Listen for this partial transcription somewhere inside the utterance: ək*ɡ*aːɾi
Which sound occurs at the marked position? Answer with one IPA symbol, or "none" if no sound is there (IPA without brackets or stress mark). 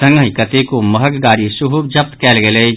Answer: ɡ